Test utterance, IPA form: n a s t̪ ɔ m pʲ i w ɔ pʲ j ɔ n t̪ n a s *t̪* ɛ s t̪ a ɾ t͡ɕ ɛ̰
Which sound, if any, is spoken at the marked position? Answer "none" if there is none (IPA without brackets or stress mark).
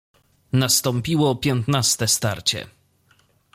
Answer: t̪